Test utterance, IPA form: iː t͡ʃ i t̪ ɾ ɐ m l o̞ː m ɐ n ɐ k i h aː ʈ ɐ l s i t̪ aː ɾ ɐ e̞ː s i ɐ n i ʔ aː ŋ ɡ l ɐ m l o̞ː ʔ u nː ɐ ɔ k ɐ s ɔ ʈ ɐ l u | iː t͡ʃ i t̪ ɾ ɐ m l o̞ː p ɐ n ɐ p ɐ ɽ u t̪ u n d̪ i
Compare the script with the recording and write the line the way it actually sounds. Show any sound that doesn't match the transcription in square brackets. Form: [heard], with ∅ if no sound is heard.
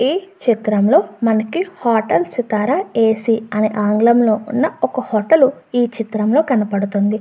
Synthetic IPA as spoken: iː t͡ʃ i t̪ ɾ ɐ m l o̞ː m ɐ n ɐ k i h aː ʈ ɐ l s i t̪ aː ɾ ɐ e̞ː s i ɐ n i ʔ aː ŋ ɡ l ɐ m l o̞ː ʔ u nː ɐ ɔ k ɐ [h] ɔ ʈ ɐ l u | iː t͡ʃ i t̪ ɾ ɐ m l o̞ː [k] ɐ n ɐ p ɐ ɽ u t̪ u n d̪ i